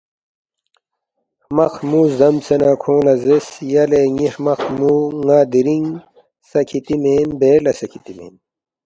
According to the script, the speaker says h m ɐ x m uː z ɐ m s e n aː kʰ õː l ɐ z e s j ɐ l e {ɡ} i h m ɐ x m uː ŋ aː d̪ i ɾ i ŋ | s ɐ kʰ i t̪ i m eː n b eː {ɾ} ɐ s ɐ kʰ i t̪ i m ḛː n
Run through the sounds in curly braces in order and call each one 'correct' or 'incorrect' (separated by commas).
incorrect, incorrect